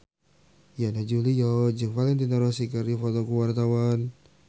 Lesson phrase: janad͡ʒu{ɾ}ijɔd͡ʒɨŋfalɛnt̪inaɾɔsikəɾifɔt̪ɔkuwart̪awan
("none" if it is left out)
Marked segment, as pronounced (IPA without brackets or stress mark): l